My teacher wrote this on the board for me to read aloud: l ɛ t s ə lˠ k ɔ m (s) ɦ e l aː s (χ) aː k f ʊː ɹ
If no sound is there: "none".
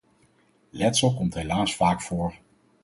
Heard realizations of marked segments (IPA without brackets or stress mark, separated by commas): t, f